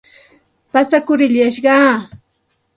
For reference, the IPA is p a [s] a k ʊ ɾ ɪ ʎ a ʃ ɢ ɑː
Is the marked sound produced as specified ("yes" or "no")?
yes